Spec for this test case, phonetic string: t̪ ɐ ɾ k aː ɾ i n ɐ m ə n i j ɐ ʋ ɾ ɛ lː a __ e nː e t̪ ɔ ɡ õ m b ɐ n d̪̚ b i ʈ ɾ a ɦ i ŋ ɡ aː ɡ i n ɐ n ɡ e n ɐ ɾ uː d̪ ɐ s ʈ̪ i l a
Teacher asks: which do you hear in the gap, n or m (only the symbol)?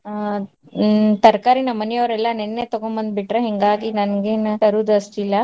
n